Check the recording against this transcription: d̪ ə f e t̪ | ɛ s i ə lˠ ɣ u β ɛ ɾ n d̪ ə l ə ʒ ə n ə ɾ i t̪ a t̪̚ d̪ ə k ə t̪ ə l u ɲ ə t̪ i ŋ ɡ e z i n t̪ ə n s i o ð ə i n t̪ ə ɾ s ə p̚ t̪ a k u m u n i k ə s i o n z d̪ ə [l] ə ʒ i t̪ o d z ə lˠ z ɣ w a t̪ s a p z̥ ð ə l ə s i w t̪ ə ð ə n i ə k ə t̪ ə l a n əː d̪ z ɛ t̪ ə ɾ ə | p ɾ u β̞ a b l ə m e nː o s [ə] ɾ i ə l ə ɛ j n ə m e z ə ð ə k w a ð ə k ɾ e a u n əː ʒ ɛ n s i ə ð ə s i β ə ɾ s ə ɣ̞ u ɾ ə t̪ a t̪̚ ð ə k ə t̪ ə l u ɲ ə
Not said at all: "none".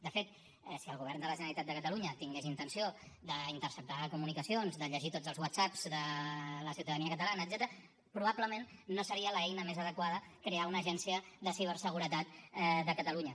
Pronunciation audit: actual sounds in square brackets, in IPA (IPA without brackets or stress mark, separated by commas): ʎ, ə